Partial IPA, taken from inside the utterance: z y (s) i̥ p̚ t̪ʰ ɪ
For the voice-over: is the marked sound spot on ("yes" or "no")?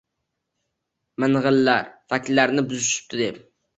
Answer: no